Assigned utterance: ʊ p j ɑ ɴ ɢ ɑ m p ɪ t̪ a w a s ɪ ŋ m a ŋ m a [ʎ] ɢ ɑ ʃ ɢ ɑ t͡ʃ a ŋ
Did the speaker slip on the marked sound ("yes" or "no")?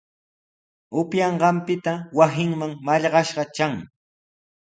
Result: no